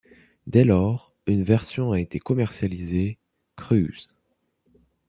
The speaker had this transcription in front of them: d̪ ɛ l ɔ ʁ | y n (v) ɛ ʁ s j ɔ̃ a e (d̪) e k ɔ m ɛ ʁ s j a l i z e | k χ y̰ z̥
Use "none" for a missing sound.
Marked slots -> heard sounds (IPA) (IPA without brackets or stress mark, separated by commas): v, t̪